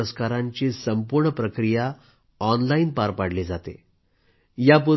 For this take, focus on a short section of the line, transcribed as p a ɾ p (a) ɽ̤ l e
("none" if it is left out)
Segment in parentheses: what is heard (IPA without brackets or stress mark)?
a